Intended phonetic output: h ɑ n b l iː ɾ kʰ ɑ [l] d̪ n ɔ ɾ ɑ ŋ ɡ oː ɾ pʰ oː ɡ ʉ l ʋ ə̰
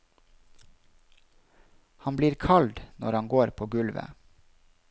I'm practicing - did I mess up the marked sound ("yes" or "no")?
no